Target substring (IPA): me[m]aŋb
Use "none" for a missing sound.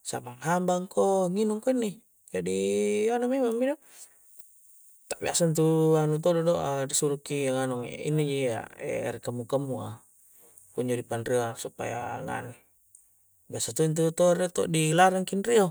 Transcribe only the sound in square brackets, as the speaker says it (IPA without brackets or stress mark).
m